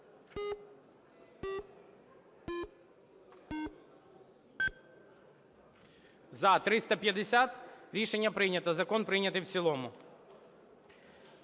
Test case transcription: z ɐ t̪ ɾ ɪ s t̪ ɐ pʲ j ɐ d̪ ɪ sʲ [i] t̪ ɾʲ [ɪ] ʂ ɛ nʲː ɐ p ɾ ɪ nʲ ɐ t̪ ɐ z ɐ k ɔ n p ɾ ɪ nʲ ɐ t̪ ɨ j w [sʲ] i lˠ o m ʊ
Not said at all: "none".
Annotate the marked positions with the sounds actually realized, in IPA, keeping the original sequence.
a, i, sʲ

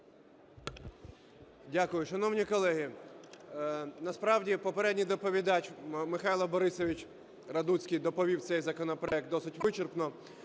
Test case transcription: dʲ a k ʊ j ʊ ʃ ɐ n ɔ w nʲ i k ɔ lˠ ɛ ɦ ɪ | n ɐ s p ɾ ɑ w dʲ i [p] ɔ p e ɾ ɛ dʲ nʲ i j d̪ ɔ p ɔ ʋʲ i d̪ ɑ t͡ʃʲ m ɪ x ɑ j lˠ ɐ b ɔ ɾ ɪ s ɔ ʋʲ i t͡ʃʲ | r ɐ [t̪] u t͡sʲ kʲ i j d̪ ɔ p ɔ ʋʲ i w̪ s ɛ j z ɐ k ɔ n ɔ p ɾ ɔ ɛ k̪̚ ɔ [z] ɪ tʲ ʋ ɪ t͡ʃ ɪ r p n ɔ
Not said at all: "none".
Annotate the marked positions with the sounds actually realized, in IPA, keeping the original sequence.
p, d̪, s

